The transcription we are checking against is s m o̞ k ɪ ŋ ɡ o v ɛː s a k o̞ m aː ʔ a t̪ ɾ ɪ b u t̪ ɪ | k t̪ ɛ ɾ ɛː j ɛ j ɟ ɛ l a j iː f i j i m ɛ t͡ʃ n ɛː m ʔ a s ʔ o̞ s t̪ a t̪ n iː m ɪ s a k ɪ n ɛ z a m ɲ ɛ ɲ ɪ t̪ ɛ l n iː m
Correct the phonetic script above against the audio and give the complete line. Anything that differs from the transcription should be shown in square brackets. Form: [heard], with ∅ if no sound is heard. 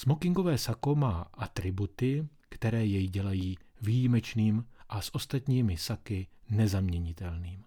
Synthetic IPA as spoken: s m o̞ k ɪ ŋ ɡ o v ɛː s a k o̞ m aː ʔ a t̪ ɾ ɪ b u t̪ ɪ | k t̪ ɛ ɾ ɛː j ɛ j ɟ ɛ l a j iː [v] i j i m ɛ t͡ʃ n [iː] m ʔ a s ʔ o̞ s t̪ a t̪ [ɲ] iː m ɪ s a k ɪ n ɛ z a m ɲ ɛ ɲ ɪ t̪ ɛ l n iː m